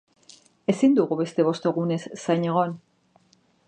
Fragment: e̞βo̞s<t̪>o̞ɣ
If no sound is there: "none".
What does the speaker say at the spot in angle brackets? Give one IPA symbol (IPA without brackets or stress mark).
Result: t̪